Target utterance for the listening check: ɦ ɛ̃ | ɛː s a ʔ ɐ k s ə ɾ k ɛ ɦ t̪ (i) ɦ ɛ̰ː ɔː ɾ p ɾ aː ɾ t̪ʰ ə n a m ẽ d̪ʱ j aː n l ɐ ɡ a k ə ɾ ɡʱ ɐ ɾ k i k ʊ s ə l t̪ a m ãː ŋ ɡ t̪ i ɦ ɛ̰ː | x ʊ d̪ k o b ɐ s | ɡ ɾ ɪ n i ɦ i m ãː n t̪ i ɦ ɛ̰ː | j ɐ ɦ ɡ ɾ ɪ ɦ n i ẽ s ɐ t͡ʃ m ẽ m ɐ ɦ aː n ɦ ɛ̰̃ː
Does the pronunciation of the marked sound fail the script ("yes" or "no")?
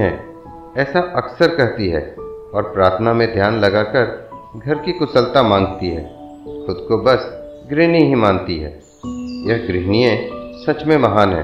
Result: no